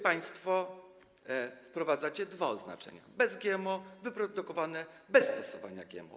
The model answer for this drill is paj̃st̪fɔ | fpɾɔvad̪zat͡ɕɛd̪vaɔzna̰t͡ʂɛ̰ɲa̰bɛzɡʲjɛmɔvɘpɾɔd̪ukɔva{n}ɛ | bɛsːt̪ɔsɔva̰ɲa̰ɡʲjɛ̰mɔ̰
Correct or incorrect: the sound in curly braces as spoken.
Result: correct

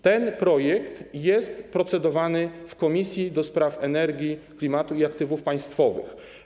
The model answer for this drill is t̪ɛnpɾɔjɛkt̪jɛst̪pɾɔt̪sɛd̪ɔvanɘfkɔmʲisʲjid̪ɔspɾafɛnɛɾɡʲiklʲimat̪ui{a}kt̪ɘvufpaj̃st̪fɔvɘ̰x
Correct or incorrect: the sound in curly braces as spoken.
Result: correct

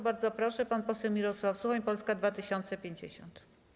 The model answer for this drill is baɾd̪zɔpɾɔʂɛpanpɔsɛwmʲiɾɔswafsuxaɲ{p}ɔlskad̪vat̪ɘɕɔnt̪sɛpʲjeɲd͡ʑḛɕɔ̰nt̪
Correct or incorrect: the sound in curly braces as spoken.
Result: correct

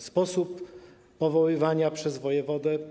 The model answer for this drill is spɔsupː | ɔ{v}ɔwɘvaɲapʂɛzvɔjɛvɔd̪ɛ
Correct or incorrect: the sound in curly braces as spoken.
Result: correct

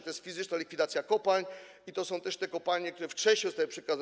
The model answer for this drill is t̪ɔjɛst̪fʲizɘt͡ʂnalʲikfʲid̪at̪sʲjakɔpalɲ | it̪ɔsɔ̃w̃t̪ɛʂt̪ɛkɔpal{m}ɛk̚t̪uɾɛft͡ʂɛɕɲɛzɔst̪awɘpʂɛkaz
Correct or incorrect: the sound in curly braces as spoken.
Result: incorrect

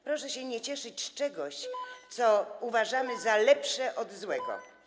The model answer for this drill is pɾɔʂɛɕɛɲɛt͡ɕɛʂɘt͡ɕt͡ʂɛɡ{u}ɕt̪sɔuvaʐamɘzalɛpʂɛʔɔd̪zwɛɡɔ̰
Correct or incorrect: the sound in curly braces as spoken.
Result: incorrect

